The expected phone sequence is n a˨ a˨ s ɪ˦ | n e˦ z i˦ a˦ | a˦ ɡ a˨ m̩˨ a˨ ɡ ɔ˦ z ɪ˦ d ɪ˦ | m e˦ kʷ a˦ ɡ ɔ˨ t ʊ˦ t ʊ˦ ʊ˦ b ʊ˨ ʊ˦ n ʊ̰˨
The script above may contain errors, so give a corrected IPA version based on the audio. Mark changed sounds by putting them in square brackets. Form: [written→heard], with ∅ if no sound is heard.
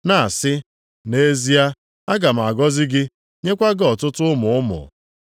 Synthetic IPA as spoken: n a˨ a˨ s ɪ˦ | n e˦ z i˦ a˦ | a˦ ɡ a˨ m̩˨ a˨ ɡ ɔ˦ z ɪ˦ [d→ɡ] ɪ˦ | [m→ɲ] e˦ kʷ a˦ ɡ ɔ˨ t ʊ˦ t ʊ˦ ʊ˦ [b→m] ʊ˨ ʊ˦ [n→m] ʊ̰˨